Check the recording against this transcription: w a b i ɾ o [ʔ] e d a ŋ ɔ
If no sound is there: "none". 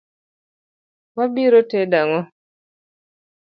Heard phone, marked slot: t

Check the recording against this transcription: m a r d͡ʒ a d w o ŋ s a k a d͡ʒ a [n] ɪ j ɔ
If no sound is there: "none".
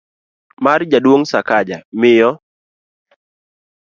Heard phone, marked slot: m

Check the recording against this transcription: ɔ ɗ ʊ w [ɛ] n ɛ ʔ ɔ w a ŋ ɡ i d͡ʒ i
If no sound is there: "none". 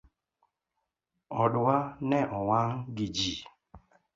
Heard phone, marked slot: a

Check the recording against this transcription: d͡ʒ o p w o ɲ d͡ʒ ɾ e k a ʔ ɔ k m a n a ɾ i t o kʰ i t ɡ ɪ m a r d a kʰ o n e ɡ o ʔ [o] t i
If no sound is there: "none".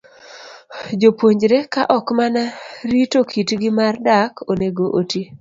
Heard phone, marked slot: o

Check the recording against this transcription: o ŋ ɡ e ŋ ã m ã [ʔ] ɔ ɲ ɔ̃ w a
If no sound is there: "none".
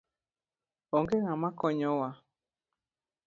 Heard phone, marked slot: k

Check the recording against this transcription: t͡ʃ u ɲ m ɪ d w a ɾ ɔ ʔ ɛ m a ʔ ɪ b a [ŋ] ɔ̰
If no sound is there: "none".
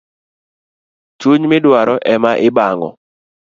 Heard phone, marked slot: ŋ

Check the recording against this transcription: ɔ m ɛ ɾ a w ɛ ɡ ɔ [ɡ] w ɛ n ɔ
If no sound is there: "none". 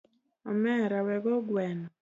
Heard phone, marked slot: ɡ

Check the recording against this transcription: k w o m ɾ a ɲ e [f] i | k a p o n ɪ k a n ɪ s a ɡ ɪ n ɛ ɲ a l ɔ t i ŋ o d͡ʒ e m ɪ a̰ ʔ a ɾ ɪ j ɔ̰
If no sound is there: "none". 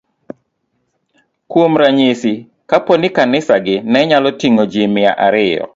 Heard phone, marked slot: s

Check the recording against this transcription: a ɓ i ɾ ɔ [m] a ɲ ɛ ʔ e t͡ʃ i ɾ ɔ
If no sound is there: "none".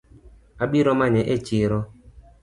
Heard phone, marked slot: m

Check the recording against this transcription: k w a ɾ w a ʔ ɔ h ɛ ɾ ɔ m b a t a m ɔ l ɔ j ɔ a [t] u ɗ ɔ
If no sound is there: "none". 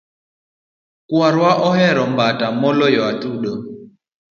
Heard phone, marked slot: t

